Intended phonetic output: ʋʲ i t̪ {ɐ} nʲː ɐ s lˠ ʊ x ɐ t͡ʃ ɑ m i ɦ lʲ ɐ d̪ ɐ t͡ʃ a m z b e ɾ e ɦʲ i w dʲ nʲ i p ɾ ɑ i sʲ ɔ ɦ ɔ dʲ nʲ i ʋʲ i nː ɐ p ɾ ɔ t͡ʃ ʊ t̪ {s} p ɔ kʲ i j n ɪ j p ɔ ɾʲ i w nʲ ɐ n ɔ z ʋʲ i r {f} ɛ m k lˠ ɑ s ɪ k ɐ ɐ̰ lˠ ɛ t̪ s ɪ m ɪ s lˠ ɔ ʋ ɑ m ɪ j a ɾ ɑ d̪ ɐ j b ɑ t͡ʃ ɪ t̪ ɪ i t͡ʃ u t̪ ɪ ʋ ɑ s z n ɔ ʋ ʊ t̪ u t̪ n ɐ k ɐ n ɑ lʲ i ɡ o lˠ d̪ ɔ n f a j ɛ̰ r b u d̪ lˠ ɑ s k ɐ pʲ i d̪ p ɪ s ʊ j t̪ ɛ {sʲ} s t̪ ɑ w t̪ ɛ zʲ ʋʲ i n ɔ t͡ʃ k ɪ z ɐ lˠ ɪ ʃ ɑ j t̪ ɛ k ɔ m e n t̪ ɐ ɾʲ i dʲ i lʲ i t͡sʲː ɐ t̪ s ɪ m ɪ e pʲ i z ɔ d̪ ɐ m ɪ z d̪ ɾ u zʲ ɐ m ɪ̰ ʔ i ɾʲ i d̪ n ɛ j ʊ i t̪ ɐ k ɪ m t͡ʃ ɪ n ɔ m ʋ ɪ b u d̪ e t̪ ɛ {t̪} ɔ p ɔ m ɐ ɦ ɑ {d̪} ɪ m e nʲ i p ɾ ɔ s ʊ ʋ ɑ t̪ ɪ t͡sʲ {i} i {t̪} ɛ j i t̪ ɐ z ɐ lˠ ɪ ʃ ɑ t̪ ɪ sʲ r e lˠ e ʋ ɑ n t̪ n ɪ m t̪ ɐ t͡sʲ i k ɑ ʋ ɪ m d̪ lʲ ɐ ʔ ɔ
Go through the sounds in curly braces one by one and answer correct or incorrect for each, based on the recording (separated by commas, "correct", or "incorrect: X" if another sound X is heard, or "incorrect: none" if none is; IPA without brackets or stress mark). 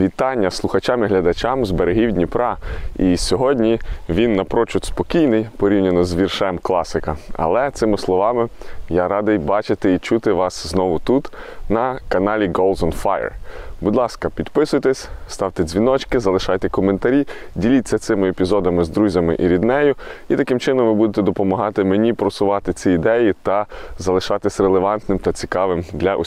incorrect: ɑ, correct, incorrect: ʃ, correct, incorrect: d̪, incorrect: t̪, correct, incorrect: d̪